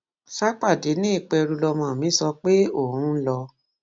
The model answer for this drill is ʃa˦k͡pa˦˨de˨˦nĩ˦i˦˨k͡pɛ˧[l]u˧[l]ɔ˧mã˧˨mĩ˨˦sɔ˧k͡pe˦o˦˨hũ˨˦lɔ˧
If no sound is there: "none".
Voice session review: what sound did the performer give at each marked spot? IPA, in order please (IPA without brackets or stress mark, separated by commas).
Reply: ɾ, l